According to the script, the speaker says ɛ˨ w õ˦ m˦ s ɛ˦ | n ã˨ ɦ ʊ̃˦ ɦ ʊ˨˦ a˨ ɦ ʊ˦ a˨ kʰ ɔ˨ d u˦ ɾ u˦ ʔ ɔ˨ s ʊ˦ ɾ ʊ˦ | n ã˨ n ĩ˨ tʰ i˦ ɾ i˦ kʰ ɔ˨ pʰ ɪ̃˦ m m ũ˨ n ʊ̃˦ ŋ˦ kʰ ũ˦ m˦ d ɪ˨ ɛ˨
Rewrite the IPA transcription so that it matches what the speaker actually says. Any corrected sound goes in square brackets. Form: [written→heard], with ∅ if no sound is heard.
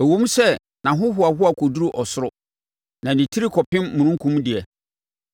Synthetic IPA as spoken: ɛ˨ w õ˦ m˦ s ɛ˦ | n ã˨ ɦ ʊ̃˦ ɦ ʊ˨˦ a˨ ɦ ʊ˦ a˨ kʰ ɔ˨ d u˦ ɾ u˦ ʔ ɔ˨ s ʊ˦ ɾ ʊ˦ | n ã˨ n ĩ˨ tʰ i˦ ɾ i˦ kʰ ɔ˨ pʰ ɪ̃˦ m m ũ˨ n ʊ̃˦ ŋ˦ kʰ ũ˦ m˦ d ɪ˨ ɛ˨

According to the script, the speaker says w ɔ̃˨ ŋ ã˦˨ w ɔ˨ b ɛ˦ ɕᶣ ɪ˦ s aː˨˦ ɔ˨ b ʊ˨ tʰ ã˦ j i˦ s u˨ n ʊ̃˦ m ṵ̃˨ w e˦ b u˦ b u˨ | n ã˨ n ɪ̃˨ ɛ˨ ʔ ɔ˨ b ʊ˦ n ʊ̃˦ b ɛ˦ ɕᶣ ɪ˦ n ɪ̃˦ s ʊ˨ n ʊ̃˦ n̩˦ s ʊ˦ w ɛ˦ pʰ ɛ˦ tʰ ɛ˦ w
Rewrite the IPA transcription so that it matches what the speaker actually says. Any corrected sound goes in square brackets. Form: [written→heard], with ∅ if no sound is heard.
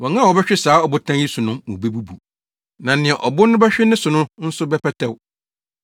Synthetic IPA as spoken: w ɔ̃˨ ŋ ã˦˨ w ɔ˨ b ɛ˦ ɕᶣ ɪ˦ s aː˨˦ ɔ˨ b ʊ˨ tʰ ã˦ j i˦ s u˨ n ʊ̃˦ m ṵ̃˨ [w→b] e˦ b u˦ b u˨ | n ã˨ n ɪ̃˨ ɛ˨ ʔ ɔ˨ b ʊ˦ n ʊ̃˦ b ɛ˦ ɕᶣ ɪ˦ n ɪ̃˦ s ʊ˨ n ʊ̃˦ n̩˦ s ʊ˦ [w→b] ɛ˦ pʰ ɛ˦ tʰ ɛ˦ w

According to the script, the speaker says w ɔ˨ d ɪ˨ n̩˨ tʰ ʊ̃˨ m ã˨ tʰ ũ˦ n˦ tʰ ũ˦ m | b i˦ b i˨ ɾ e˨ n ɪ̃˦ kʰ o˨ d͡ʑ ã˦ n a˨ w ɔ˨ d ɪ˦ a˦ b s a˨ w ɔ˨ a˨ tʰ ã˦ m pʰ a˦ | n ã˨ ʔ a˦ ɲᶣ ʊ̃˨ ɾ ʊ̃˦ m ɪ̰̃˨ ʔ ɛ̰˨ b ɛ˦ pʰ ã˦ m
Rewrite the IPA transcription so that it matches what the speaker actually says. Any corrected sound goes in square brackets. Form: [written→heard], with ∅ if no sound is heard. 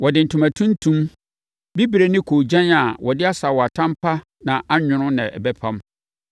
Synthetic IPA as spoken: w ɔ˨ d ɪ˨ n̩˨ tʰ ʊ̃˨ m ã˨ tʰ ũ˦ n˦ tʰ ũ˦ m | b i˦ b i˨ ɾ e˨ n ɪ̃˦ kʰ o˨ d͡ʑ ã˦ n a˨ w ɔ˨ d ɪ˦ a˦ [b→∅] s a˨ w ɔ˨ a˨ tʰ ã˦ m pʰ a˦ | n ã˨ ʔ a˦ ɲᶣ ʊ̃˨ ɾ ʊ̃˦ [m→n] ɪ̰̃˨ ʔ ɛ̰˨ b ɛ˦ pʰ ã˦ m

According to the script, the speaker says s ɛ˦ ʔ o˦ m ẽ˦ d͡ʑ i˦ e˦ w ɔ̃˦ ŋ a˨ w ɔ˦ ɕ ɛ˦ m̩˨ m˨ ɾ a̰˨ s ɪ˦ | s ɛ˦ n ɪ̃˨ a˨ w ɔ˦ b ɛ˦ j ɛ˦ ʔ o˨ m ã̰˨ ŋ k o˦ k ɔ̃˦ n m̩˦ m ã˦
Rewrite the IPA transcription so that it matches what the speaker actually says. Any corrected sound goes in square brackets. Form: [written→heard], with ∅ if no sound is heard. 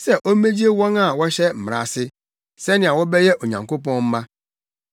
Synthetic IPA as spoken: s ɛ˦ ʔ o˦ m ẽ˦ d͡ʑ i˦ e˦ w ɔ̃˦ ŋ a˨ w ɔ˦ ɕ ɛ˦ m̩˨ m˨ ɾ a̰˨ s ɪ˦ | s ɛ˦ n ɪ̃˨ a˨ w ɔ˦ b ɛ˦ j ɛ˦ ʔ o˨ [m→ɲ] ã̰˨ ŋ k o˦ [k→p] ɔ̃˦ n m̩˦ m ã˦

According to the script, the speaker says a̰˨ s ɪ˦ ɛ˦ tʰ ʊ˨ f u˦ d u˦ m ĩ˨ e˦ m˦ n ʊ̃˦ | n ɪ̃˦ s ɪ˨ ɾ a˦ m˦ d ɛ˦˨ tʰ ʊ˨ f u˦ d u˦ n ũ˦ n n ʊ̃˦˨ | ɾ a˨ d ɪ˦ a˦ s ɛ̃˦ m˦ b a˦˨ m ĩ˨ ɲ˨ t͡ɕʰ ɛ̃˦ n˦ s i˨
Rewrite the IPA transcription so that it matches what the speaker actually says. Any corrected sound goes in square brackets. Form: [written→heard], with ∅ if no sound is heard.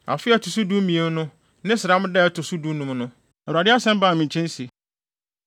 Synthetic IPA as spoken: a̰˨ [s→f] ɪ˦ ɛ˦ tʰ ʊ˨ [f→s] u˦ d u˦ m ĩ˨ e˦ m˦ n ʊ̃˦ | n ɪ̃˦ s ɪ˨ ɾ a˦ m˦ d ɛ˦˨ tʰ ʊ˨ [f→s] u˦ d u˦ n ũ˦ [n→m] n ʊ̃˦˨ | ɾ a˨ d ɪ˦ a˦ s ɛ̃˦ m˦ b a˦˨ m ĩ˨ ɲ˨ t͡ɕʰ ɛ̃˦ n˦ s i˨

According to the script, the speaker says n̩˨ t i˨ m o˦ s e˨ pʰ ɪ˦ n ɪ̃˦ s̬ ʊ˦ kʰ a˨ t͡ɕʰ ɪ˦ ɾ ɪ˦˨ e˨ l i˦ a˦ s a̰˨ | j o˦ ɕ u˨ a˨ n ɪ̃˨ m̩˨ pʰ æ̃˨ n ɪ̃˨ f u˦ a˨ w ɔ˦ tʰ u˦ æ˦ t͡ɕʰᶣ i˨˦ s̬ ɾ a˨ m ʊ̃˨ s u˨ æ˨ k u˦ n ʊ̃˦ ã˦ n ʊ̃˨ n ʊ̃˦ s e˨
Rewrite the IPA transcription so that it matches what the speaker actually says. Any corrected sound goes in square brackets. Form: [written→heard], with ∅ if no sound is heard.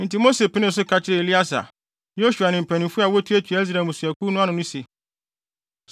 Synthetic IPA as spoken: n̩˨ t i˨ m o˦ s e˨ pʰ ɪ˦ n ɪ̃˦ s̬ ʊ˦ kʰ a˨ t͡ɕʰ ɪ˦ ɾ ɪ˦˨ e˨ l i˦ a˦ s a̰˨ | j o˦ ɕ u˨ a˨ n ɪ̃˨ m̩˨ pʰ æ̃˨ n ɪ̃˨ f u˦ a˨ w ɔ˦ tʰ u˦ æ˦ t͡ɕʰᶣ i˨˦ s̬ ɾ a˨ m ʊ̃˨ s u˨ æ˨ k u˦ n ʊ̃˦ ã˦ n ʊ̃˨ n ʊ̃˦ s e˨

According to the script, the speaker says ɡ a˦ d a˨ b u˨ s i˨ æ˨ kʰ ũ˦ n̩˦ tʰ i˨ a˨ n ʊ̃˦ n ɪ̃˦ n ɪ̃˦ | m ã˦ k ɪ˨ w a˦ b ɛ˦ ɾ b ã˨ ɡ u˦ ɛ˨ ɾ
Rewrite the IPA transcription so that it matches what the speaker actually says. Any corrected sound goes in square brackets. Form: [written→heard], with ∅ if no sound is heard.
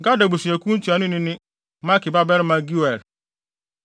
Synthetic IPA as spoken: ɡ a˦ d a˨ b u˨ s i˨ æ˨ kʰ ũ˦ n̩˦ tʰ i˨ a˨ n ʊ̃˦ n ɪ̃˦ n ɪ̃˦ | m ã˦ k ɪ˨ [w→b] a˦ b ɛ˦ ɾ [b→m] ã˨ ɡ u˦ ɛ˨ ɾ

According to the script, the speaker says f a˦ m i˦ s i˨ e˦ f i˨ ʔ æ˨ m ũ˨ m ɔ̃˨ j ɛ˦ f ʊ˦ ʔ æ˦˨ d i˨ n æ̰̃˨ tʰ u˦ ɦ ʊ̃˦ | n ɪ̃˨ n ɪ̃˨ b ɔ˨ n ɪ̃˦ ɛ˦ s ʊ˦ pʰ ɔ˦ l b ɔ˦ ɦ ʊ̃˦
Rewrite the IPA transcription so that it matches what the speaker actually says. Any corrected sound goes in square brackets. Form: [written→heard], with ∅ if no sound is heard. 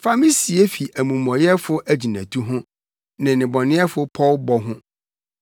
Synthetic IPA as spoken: f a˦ m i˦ s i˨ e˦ f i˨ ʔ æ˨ m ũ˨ m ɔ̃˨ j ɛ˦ f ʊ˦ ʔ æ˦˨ [d→d͡ʑ] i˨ n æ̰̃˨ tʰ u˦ ɦ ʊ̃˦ | n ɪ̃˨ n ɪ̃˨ b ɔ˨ n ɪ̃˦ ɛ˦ [s→f] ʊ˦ pʰ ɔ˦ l b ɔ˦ ɦ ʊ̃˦

